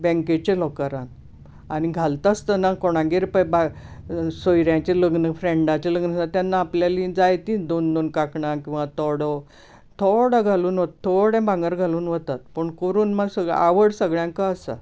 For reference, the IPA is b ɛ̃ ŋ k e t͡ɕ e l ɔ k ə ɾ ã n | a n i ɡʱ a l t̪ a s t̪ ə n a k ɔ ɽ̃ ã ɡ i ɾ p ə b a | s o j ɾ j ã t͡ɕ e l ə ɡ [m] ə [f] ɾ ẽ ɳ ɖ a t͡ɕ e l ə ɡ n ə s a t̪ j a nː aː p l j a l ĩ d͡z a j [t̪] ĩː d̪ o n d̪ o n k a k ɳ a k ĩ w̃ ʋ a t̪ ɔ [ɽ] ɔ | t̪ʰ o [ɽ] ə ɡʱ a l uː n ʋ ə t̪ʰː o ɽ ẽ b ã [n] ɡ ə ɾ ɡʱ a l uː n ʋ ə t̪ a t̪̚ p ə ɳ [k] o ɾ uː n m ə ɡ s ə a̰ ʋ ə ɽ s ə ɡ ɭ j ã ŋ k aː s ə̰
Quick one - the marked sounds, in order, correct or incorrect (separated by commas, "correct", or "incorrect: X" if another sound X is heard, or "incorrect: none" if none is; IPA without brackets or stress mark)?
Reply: incorrect: n, correct, correct, correct, correct, incorrect: ŋ, correct